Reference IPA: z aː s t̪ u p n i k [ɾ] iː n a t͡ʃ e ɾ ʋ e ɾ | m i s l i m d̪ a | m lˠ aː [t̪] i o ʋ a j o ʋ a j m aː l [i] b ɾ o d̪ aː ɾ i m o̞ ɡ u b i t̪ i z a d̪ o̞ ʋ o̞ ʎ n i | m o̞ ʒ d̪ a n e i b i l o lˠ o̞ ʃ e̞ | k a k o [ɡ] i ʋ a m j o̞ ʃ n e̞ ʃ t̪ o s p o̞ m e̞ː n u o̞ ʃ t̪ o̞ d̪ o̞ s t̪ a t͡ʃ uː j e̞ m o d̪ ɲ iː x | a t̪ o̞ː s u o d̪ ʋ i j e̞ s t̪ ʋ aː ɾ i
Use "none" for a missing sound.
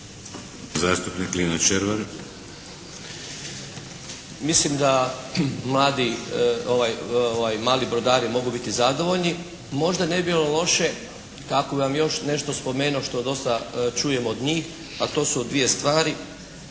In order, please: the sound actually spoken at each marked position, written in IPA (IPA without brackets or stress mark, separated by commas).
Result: l, d̪, i, b